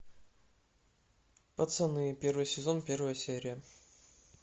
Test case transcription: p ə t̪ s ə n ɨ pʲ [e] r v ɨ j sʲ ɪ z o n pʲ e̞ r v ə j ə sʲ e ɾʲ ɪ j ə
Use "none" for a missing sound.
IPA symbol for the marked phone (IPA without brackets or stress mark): e